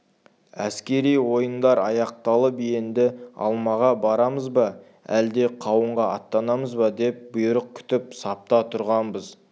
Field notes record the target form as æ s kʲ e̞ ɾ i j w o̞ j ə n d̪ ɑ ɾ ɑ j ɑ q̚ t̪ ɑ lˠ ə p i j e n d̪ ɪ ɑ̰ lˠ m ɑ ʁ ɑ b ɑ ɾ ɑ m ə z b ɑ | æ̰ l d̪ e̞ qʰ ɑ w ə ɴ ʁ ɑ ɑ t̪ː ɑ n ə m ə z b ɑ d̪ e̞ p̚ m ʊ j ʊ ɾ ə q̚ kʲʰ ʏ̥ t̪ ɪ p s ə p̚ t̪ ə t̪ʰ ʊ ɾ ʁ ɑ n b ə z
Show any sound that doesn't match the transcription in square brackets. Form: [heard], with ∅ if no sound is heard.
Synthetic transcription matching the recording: æ s kʲ e̞ ɾ i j w o̞ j ə n d̪ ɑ ɾ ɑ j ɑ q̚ t̪ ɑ lˠ ə p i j e n d̪ ɪ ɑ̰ lˠ m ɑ ʁ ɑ b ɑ ɾ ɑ m ə z b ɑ | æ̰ l d̪ e̞ qʰ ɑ w ə ɴ ʁ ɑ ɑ t̪ː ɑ n [ɑ] m ə z b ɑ d̪ e̞ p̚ [b] ʊ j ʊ ɾ ə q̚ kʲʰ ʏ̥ t̪ ɪ p s [ɑ] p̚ t̪ [ɑ] t̪ʰ ʊ ɾ ʁ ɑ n b ə z